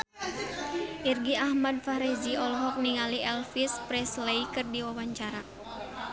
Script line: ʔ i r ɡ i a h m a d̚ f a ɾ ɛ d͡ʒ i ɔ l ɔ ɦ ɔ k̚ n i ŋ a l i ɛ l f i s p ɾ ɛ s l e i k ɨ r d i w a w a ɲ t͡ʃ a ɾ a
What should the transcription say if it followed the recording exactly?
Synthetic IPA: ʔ i r ɡ i a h m a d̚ f a ɾ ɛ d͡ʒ i ɔ l ɔ ɦ ɔ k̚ n i ŋ a l i ɛ l f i s p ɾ ɛ s l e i k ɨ r d i w a w a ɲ t͡ʃ a ɾ a